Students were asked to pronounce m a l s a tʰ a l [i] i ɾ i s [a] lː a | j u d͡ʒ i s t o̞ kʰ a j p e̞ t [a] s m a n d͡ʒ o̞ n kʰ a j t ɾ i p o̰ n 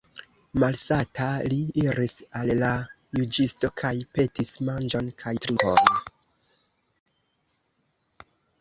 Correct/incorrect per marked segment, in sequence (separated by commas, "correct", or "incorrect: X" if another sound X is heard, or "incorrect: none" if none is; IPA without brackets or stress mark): correct, correct, incorrect: i